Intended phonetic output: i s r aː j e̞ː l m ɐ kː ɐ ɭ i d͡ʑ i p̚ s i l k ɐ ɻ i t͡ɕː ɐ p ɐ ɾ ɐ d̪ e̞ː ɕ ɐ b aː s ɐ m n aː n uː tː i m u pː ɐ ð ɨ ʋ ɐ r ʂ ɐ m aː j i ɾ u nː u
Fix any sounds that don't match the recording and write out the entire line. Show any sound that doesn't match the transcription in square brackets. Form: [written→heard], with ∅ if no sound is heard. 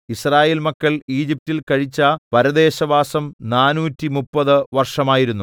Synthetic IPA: i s r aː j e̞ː l m ɐ kː ɐ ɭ [i→iː] d͡ʑ i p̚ [s→t] i l k ɐ ɻ i t͡ɕː ɐ p ɐ ɾ ɐ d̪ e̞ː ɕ ɐ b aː s ɐ m n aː n uː tː i m u pː ɐ ð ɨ ʋ ɐ r ʂ ɐ m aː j i ɾ u nː u